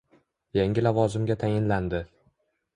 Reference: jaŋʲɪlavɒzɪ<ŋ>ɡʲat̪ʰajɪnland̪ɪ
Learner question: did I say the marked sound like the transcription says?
no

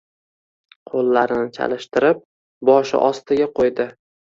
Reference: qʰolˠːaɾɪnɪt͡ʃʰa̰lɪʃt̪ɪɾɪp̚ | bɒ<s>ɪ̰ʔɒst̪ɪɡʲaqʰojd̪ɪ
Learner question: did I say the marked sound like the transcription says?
no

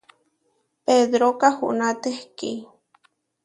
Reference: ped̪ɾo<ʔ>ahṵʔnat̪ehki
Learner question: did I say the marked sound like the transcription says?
no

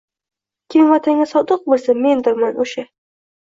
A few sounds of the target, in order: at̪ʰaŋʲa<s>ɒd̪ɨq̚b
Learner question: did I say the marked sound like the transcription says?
yes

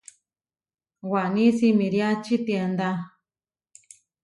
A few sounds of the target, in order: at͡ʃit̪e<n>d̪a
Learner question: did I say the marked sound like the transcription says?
yes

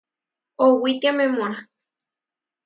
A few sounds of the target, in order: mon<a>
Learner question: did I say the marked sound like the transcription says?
yes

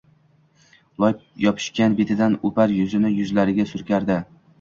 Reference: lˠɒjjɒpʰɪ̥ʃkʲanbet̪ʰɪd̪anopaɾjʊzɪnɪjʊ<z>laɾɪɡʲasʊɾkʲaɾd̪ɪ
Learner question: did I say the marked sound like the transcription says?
yes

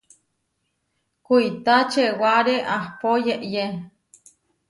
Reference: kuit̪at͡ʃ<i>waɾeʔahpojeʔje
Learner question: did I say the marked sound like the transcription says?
no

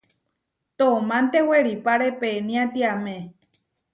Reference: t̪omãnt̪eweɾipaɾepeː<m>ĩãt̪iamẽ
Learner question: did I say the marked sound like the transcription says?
no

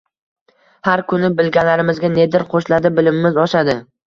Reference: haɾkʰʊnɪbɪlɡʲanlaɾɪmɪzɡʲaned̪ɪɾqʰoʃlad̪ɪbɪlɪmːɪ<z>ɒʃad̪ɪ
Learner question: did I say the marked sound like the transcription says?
yes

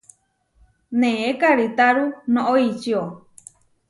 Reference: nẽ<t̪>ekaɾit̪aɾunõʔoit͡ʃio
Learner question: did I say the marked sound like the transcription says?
no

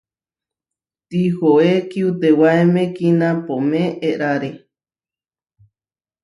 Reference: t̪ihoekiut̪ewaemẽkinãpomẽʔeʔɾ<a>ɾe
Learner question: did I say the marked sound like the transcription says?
yes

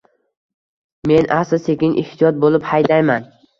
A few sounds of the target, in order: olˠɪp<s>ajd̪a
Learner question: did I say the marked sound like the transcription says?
no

